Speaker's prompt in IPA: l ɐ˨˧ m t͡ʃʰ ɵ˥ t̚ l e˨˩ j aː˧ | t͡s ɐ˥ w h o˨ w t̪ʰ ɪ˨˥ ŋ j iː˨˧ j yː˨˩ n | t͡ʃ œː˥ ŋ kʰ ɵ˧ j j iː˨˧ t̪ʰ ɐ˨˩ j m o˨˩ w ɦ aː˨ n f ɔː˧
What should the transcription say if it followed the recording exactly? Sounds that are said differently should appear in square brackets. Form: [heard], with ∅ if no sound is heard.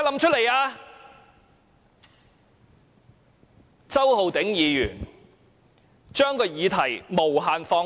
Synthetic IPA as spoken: l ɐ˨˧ m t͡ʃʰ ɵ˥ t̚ l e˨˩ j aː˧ | t͡s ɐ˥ w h o˨ w [t̪] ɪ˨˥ ŋ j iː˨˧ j yː˨˩ n | t͡ʃ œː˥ ŋ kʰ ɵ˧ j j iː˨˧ t̪ʰ ɐ˨˩ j m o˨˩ w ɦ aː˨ n f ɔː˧